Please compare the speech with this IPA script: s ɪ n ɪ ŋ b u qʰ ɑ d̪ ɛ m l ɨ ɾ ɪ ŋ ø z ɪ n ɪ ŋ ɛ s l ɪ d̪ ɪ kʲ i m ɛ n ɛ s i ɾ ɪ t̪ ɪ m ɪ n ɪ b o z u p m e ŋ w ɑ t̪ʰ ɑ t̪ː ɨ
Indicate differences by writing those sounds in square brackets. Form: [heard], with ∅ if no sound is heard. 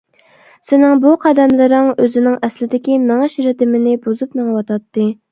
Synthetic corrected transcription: s ɪ n ɪ ŋ b u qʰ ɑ d̪ ɛ m l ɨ ɾ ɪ ŋ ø z ɪ n ɪ ŋ ɛ s l ɪ d̪ ɪ kʲ i m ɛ [ŋ] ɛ [ʃ] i ɾ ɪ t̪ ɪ m ɪ n ɪ b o z u p m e ŋ w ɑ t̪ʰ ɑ t̪ː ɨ

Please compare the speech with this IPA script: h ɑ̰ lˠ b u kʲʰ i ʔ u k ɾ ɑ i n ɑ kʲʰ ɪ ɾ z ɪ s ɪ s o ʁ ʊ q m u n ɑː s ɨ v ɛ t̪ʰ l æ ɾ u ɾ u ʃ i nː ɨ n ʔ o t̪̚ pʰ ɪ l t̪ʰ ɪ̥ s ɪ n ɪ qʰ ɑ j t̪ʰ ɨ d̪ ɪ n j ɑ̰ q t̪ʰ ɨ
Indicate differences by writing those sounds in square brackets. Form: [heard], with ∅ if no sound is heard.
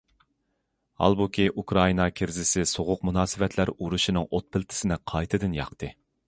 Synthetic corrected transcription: h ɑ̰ lˠ b u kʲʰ i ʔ u k ɾ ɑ i n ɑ kʲʰ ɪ ɾ z ɪ s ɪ s o ʁ ʊ q m u n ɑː s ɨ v ɛ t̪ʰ l æ ɾ u ɾ u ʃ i [n] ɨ [ŋ] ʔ o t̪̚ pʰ ɪ l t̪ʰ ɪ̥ s ɪ n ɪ qʰ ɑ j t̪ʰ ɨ d̪ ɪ n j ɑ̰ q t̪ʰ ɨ

